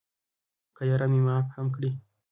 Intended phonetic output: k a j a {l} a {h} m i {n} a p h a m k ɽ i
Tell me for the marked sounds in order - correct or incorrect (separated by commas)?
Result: incorrect, incorrect, incorrect